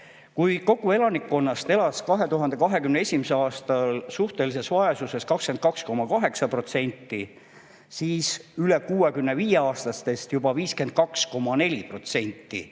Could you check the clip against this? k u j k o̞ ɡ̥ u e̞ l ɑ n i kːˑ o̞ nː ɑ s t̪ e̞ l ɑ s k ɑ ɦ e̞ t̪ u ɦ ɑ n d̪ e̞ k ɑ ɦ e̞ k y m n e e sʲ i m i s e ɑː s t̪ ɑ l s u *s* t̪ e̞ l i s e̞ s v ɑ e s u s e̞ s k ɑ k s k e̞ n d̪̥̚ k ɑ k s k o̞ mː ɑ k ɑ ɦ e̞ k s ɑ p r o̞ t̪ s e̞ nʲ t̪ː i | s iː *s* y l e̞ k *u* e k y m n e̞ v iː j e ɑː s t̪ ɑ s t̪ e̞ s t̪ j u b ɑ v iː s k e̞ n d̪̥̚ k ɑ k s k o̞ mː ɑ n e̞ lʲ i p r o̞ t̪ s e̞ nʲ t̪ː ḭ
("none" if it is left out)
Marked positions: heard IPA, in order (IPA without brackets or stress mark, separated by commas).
h, s, uː